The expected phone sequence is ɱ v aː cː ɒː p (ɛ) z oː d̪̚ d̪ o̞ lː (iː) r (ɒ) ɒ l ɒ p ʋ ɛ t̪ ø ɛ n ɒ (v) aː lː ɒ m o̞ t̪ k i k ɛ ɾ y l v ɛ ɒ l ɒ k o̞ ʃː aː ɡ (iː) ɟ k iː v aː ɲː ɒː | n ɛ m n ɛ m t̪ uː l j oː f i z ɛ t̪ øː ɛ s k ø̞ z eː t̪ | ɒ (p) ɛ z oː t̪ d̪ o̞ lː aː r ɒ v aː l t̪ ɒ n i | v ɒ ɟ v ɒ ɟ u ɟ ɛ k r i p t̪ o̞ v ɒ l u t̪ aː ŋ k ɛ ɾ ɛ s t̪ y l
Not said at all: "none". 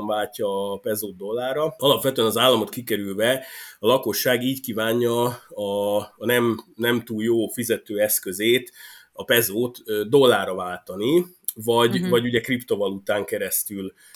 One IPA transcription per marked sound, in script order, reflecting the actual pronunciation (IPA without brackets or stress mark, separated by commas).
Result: ɛ, aː, ɒ, z, iː, p